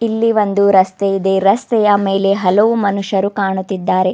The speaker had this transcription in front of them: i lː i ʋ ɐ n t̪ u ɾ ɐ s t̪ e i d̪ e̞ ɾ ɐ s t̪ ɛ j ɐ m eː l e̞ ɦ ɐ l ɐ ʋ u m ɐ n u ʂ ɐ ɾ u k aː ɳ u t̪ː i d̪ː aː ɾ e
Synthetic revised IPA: i lː i ʋ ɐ n d̪ u ɾ ɐ s t̪ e i d̪ e̞ ɾ ɐ s t̪ ɛ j ɐ m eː l e̞ ɦ ɐ l ɐ ʋ u m ɐ n u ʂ ɐ ɾ u k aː ɳ u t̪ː i d̪ː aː ɾ e

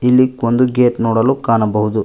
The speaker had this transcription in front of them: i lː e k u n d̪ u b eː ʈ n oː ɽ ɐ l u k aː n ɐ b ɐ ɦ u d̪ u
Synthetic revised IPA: i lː i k o n d̪ u ɡ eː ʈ n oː ɽ ɐ l u k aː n ɐ b ɐ ɦ u d̪ u

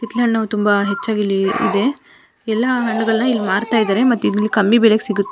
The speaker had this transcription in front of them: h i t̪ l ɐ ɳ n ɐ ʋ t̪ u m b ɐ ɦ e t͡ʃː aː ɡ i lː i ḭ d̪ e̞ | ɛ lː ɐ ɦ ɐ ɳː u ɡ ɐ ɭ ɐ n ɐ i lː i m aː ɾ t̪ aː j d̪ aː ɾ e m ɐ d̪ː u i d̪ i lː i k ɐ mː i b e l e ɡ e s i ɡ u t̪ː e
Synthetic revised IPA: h i t̪ l ɐ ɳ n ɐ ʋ t̪ u m b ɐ ɦ e t͡ʃː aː ɡ i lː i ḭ d̪ e̞ | ɛ lː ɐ ɦ ɐ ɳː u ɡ ɐ ɭ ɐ n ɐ i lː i m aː ɾ t̪ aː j d̪ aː ɾ e m ɐ t̪ː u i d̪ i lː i k ɐ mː i b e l e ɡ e s i ɡ u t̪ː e

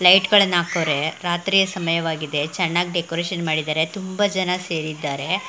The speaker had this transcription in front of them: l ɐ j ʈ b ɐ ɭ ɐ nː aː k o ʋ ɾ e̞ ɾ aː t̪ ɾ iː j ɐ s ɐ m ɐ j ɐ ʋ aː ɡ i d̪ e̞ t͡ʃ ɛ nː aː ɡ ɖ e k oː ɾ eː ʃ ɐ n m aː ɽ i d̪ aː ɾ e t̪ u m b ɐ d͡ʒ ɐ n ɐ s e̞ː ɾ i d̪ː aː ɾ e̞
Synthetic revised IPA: l ɐ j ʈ ɡ ɐ ɭ ɐ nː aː k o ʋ ɾ e̞ ɾ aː t̪ ɾ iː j ɐ s ɐ m ɐ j ɐ ʋ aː ɡ i d̪ e̞ t͡ʃ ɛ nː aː ɡ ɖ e k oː ɾ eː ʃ ɐ n m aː ɽ i d̪ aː ɾ e t̪ u m b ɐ d͡ʒ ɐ n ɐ s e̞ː ɾ i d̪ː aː ɾ e̞

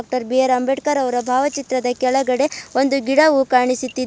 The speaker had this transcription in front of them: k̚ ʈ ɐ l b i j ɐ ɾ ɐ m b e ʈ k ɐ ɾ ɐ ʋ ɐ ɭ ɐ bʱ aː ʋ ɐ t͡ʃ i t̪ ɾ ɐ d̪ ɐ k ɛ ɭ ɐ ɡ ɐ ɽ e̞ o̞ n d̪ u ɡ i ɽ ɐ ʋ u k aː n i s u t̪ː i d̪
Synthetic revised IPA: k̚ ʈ ɐ ɾ b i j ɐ ɾ ɐ m b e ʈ k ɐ ɾ ɐ ʋ ɐ ɾ ɐ bʱ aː ʋ ɐ t͡ʃ i t̪ ɾ ɐ d̪ ɐ k ɛ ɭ ɐ ɡ ɐ ɽ e̞ o̞ n d̪ u ɡ i ɽ ɐ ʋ u k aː ɳ i s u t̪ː i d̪

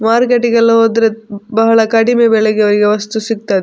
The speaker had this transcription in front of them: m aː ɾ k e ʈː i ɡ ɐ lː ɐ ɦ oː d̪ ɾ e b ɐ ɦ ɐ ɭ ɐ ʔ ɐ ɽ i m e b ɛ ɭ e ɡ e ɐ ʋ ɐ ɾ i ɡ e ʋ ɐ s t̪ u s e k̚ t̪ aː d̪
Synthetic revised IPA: m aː ɾ k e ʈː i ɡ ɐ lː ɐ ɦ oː d̪ ɾ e b ɐ ɦ ɐ ɭ ɐ k ɐ ɽ i m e b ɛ ɭ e ɡ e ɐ ʋ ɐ ɾ i ɡ e ʋ ɐ s t̪ u s i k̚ t̪ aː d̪

